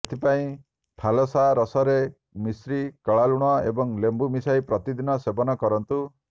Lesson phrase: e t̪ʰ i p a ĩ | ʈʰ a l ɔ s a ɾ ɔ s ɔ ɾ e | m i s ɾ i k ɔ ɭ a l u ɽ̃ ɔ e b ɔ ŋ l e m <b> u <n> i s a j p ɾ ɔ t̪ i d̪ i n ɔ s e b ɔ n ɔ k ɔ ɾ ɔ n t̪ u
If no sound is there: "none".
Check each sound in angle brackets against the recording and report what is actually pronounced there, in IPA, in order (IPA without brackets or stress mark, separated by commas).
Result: b, m